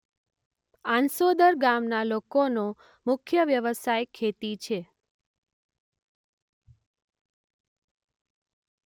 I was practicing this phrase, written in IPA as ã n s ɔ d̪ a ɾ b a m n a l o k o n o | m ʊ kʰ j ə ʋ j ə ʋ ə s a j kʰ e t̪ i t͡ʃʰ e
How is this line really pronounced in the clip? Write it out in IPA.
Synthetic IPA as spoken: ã n s o d̪ ə ɾ ɡ a m n a l o k o n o | m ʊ kʰ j ə ʋ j ə ʋ ə s a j kʰ e t̪ i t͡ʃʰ e